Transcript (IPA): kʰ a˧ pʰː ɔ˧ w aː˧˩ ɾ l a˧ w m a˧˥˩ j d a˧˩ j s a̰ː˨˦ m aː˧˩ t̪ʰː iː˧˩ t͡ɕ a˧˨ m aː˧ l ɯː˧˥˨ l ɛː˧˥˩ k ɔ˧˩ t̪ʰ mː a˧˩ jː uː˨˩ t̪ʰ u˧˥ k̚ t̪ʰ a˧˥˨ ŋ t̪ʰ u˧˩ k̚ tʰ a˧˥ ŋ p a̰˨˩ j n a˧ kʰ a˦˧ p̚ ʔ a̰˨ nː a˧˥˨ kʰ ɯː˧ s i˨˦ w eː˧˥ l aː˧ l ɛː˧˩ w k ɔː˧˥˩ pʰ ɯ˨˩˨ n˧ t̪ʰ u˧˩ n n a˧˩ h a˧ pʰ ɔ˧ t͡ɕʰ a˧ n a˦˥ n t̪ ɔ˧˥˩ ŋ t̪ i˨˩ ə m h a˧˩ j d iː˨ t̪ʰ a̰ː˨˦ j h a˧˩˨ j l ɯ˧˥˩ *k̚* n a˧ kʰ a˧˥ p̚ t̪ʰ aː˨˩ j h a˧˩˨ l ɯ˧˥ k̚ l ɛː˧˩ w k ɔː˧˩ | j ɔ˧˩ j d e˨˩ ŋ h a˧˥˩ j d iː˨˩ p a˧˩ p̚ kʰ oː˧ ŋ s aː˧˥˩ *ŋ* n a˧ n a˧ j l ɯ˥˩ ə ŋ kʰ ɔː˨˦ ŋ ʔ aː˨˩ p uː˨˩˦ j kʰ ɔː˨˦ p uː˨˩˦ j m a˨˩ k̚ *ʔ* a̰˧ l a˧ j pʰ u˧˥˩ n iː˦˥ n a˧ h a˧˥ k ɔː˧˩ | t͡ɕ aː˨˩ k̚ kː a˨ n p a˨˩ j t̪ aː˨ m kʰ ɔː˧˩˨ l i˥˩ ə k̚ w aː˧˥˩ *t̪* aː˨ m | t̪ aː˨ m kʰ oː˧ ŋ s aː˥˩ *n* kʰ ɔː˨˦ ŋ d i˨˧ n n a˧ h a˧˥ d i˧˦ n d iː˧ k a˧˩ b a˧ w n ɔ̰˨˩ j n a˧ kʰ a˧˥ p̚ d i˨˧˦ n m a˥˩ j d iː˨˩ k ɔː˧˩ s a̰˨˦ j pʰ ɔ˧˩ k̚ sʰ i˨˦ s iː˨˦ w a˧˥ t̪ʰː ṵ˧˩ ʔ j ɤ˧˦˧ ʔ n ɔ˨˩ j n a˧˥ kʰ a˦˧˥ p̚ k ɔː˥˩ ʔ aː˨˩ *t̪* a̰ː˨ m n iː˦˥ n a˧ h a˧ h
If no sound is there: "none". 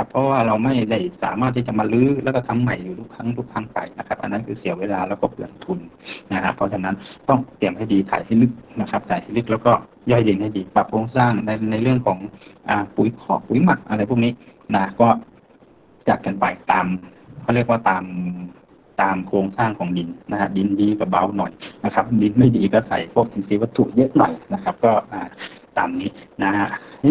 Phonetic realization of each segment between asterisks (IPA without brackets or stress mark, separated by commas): k̚, ŋ, ʔ, t̪, ŋ, t̪